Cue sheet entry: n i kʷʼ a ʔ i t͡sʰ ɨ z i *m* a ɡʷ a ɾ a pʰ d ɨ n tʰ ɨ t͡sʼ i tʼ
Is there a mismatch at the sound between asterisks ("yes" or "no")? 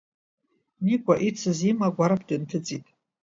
no